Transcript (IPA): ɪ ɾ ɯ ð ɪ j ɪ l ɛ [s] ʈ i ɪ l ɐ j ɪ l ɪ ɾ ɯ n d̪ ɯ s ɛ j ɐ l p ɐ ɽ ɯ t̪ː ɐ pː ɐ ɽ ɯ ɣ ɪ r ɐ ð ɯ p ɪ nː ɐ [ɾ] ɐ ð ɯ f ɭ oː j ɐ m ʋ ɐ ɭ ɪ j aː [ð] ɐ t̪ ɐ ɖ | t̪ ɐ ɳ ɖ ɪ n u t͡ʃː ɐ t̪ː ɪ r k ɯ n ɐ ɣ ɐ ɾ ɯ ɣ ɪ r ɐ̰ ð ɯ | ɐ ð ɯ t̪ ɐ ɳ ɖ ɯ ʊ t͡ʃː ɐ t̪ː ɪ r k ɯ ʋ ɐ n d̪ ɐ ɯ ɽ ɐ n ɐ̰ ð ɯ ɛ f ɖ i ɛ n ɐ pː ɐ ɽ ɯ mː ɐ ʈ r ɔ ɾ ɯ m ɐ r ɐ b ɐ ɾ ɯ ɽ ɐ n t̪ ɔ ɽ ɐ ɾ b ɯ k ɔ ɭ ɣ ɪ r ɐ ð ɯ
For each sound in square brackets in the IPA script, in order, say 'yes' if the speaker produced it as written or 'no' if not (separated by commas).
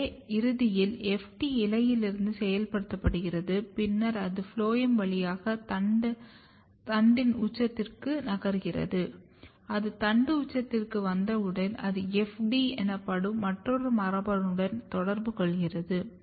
no, yes, no